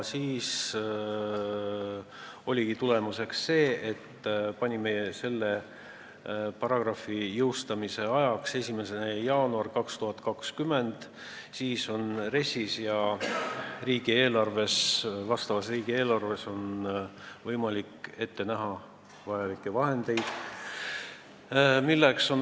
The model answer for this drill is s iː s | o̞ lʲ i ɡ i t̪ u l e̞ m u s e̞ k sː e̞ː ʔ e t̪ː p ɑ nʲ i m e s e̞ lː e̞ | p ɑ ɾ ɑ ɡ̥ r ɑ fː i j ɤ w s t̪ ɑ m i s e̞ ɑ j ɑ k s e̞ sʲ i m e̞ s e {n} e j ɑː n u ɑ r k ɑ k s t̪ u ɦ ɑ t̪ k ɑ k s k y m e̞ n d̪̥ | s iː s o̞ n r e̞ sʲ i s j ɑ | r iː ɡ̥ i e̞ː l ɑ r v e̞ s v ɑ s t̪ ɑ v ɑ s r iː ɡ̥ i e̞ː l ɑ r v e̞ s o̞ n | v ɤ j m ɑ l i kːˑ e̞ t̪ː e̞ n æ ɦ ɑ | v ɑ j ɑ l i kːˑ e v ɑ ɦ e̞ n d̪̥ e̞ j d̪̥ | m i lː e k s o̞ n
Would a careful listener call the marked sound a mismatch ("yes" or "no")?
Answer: no